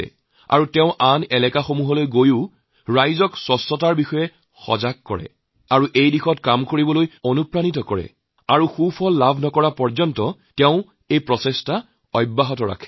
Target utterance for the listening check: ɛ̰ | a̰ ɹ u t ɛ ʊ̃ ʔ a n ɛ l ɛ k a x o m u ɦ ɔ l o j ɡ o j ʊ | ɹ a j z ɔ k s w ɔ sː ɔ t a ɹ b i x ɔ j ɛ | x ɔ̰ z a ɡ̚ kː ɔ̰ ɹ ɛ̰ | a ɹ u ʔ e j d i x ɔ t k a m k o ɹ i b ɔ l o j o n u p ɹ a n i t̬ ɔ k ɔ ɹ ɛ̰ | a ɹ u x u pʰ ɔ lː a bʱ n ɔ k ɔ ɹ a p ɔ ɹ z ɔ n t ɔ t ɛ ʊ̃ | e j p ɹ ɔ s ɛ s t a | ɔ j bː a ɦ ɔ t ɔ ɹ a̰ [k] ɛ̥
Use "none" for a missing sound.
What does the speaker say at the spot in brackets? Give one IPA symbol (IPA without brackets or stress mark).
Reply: kʰ